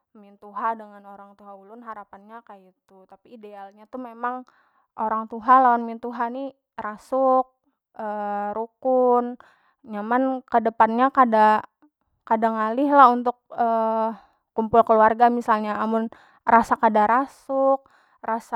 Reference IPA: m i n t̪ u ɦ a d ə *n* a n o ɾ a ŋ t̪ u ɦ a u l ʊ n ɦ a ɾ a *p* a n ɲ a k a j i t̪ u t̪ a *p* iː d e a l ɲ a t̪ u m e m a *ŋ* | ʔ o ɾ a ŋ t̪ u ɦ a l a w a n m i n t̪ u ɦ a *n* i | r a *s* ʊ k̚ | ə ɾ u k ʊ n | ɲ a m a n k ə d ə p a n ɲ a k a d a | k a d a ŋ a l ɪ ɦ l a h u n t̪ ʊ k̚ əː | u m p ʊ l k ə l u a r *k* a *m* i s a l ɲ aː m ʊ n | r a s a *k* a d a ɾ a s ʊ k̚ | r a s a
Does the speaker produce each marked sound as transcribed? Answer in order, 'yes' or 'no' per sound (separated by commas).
no, yes, yes, yes, yes, yes, no, yes, yes